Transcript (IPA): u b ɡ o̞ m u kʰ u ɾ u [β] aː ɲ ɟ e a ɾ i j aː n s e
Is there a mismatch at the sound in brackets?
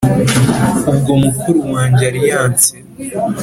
yes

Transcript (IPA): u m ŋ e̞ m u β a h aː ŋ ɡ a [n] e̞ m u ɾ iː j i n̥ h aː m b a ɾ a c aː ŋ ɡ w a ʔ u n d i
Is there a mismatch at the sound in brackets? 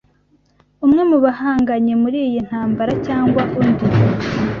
yes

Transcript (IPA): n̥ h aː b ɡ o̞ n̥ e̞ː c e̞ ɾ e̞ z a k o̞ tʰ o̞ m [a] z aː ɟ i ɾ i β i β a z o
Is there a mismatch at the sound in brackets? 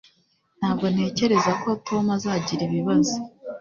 no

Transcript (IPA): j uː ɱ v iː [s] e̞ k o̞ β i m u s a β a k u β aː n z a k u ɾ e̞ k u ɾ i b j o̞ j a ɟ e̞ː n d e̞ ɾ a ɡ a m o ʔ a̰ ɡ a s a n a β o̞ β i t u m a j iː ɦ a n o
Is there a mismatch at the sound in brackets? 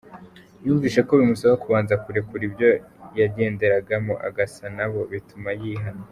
yes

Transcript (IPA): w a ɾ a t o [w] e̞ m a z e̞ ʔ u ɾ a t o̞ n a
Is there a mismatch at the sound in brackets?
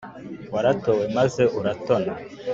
no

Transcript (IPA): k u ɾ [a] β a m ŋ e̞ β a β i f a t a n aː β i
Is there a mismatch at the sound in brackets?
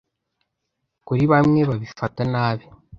yes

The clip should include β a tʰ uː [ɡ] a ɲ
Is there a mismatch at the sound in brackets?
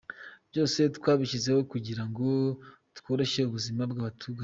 no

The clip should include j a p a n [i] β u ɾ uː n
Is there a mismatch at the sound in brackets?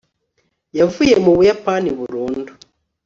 no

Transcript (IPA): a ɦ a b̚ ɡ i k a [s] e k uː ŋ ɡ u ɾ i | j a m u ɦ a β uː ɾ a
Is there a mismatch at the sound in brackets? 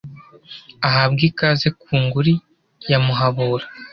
yes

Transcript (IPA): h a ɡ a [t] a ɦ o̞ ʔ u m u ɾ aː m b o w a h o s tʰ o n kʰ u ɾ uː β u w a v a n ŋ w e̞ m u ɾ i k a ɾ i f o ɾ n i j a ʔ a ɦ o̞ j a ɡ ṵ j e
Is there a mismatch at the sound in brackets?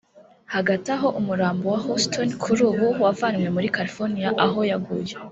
no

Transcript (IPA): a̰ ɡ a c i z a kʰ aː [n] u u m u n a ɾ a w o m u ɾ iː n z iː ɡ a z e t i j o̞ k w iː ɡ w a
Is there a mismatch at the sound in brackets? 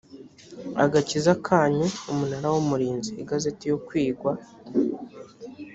yes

